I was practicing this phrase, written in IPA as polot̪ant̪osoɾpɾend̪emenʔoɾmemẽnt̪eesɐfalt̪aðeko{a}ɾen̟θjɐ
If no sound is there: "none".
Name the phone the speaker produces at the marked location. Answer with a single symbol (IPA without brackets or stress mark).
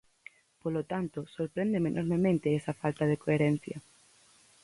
e